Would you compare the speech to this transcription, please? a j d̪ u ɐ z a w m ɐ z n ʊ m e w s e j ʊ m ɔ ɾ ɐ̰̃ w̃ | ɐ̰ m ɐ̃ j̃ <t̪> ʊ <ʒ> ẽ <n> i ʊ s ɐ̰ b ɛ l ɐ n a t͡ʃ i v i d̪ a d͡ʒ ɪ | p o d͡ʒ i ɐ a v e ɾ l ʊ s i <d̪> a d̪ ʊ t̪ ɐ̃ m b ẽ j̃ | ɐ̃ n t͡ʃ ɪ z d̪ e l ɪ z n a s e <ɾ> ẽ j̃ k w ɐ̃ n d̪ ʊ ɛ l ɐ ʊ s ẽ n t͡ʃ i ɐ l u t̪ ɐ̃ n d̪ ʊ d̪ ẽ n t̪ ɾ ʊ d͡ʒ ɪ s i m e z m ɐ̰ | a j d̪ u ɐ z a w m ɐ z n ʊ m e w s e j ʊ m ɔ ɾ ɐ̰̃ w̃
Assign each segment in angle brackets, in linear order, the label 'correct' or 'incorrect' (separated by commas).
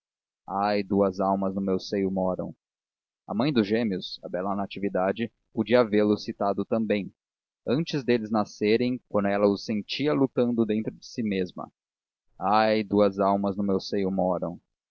incorrect, correct, incorrect, incorrect, correct